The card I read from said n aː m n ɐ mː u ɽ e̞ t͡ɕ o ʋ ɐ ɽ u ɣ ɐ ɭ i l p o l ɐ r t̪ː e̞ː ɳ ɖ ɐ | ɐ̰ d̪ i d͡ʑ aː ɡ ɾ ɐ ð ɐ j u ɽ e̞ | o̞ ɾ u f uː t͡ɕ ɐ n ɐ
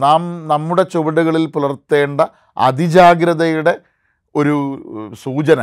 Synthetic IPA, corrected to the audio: n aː m n ɐ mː u ɽ e̞ t͡ɕ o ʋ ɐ ɽ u ɣ ɐ ɭ i l p u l ɐ r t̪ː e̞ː ɳ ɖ ɐ | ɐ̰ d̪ i d͡ʑ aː ɡ ɾ ɐ ð ɐ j u ɽ e̞ | o̞ ɾ u s uː t͡ɕ ɐ n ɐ